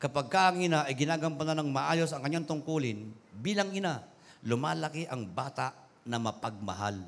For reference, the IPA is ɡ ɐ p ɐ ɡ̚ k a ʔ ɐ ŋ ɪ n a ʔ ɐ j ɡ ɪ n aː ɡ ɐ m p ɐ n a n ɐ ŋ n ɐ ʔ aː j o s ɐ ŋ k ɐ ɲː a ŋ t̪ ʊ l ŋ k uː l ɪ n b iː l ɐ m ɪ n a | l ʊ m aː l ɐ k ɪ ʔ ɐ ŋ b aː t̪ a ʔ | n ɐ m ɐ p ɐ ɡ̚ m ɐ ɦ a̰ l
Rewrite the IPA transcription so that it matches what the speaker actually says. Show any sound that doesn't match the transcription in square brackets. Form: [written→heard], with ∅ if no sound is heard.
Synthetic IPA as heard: [ɡ→k] ɐ p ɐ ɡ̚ k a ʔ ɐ ŋ ɪ n a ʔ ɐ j ɡ ɪ n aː ɡ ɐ m p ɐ n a n ɐ ŋ [n→m] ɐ ʔ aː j o s ɐ ŋ k ɐ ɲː a ŋ t̪ ʊ [l→∅] ŋ k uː l ɪ n b iː l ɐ [m→ŋ] ɪ n a | l ʊ m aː l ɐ k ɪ ʔ ɐ ŋ b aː t̪ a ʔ | n ɐ m ɐ p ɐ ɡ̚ m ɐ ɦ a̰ l